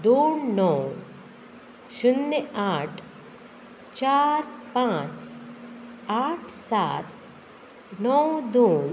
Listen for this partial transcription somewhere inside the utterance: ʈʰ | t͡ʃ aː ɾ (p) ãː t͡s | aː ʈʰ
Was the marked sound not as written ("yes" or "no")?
no